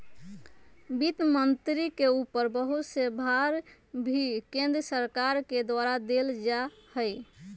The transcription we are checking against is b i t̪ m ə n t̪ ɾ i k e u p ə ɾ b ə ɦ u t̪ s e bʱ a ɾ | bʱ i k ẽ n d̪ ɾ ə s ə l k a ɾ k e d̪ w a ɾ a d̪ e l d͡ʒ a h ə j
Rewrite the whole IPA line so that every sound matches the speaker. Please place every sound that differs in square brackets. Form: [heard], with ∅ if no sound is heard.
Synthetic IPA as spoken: b i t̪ m ə n t̪ ɾ i k e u p ə ɾ b ə ɦ u t̪ s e bʱ a ɾ | bʱ i k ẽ n d̪ ɾ ə s ə [ɾ] k a ɾ k e d̪ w a ɾ a d̪ e l d͡ʒ a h ə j

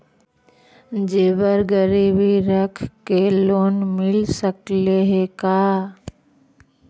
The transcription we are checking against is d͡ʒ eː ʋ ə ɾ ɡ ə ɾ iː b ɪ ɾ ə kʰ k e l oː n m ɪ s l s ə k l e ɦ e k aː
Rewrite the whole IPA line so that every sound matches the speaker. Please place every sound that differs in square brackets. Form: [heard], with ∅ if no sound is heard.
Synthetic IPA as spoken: d͡ʒ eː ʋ ə ɾ ɡ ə ɾ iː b [i] ɾ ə kʰ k e l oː n m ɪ [∅] l s ə k l e ɦ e k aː

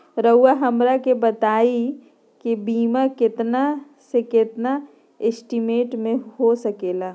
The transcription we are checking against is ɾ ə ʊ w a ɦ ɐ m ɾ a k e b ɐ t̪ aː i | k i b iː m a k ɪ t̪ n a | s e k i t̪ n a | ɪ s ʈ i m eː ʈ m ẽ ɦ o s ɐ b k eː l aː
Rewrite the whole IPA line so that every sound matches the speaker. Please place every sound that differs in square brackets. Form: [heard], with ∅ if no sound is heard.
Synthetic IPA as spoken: ɾ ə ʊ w a ɦ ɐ m ɾ a k e b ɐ t̪ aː i | k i b iː m a k ɪ t̪ n a | s e k [ɪ] t̪ n a | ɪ s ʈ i m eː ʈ m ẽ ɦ o s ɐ [∅] k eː l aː

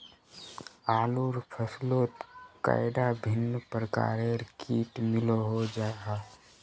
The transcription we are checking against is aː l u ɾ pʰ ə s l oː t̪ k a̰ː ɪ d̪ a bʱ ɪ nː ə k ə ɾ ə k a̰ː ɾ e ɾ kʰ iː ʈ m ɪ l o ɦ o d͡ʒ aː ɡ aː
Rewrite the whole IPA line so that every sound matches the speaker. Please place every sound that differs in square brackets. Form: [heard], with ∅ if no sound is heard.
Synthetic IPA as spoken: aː l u ɾ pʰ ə s l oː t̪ k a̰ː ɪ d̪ a bʱ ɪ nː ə [p] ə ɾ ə k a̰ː ɾ e ɾ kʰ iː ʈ m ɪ l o ɦ o d͡ʒ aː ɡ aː

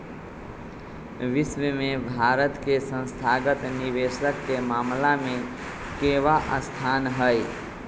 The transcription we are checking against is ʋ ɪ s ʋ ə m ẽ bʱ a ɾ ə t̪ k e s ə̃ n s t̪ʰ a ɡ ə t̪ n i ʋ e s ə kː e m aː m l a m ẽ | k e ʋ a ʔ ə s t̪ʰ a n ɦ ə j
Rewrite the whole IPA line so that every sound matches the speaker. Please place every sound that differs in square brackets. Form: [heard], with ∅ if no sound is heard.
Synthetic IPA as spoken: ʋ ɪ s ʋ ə m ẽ bʱ a ɾ ə t̪ k e s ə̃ n s t̪ʰ a ɡ ə t̪ n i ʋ e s ə kː e m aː m l a m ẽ | k e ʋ a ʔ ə s t̪ʰ a n ɦ ə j

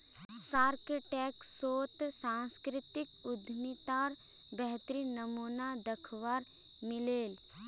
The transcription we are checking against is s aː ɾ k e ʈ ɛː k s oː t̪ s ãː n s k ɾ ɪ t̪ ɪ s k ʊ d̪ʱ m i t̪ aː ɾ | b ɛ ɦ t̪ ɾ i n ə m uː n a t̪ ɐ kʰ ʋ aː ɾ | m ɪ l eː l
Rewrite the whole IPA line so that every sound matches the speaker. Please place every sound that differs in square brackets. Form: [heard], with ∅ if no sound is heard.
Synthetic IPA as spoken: s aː ɾ k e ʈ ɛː k s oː t̪ s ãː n s k ɾ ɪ t̪ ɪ [∅] k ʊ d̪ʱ m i t̪ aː ɾ | b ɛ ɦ t̪ ɾ i n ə m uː n a [d̪] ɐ kʰ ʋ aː ɾ | m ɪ l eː l

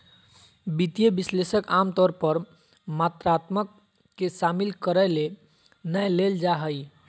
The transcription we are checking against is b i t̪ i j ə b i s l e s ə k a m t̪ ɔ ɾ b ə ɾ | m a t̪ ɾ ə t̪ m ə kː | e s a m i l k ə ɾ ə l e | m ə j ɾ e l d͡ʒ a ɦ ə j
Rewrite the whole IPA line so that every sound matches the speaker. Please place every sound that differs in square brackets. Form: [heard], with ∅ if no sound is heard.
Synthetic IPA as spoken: b i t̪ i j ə b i s l e s ə k a m t̪ ɔ ɾ [p] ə ɾ | m a t̪ ɾ [a] t̪ m ə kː | e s a m i l k ə ɾ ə l e | [n] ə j [l] e l d͡ʒ a ɦ ə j

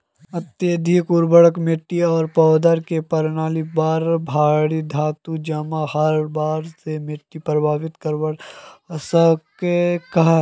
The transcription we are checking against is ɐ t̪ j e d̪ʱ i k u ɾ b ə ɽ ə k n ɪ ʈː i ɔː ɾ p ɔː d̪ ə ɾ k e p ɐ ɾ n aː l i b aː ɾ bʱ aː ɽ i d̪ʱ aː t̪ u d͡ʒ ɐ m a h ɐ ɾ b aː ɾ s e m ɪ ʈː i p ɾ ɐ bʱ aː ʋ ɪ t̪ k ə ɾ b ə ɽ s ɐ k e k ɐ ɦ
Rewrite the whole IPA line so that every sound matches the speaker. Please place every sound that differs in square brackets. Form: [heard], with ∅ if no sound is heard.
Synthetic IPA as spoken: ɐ t̪ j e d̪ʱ i k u ɾ b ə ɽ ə k [m] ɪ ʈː i ɔː ɾ p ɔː d̪ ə ɾ k e p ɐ ɾ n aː l i b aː ɾ bʱ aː ɽ i d̪ʱ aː t̪ u d͡ʒ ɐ m a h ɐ ɾ b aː ɾ s e m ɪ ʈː i p ɾ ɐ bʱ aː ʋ ɪ t̪ k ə ɾ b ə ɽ s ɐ k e k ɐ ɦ

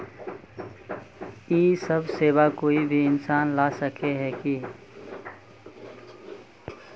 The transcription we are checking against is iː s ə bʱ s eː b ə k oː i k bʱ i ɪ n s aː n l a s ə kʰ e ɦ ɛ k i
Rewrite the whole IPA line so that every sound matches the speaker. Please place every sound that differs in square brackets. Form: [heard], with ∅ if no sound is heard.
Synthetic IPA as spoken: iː s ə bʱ s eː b [a] k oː i [∅] bʱ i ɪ n s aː n l a s ə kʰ e ɦ ɛ k i

